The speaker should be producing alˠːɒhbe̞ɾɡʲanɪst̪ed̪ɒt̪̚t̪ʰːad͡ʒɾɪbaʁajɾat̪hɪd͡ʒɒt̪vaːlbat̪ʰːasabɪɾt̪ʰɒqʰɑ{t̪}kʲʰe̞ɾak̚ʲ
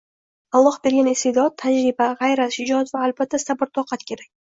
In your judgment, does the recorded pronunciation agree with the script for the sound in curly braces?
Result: yes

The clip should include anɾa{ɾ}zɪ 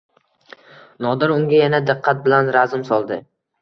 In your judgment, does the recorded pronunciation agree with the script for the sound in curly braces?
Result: no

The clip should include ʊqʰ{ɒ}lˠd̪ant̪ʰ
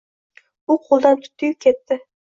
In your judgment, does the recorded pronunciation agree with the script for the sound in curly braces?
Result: no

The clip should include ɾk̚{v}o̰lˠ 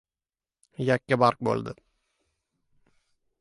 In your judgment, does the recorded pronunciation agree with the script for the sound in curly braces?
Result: no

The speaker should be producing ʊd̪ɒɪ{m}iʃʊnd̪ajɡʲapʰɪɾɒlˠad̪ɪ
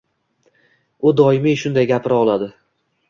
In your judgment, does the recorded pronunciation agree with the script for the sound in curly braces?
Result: yes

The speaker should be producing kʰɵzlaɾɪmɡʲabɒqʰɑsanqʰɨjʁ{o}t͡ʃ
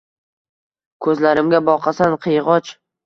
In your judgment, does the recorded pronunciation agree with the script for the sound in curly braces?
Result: no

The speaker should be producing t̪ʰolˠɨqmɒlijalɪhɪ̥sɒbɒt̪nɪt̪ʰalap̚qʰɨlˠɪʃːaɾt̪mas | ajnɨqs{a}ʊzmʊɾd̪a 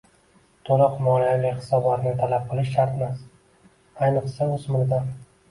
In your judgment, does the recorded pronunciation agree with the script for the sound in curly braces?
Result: yes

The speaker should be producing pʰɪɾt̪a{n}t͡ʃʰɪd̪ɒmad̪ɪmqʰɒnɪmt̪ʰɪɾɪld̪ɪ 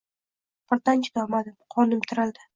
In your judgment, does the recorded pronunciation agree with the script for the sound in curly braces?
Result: yes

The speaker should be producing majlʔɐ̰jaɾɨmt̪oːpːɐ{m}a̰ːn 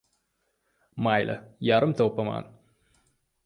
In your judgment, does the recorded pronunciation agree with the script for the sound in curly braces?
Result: yes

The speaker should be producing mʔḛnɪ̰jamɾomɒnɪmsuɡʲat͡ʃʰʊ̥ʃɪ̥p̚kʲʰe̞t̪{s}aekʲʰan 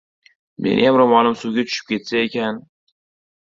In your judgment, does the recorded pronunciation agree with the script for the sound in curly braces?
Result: yes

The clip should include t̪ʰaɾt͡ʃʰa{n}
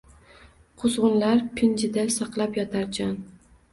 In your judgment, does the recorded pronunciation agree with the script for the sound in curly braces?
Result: yes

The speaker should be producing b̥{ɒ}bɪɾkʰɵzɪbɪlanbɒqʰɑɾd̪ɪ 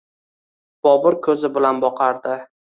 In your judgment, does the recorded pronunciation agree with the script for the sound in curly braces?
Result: yes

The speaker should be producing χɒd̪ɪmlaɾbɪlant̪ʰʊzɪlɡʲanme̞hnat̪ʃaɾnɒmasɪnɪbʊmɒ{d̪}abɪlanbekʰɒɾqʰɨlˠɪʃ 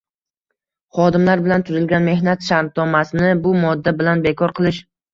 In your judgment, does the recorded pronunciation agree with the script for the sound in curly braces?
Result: no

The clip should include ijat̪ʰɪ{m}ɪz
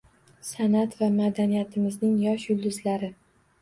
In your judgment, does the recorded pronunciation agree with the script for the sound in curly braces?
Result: yes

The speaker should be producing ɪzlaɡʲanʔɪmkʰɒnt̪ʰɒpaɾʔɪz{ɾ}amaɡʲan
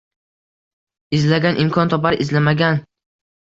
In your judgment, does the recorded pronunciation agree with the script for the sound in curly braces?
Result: no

